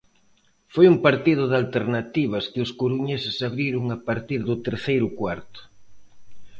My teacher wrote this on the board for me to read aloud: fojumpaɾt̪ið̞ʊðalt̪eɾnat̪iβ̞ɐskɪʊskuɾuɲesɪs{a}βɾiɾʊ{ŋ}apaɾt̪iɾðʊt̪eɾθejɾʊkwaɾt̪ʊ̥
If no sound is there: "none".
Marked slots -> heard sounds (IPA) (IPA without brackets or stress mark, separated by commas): a, ŋ